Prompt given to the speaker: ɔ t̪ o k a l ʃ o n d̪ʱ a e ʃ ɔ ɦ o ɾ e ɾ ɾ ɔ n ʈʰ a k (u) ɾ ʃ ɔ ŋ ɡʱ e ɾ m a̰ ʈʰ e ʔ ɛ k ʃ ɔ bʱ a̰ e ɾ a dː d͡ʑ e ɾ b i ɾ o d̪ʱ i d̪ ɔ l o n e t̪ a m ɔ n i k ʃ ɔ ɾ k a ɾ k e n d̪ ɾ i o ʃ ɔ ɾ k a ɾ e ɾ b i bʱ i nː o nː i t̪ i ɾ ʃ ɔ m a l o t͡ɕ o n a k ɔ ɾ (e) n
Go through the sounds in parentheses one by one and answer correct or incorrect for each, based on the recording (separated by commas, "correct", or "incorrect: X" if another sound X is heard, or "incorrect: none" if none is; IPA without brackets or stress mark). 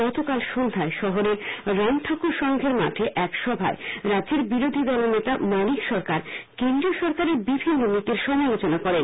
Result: correct, correct